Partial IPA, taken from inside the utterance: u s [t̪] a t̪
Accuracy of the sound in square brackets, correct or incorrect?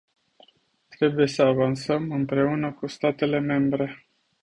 correct